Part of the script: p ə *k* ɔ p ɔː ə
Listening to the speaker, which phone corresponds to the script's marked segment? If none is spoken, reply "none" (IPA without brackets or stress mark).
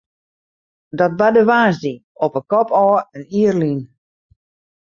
k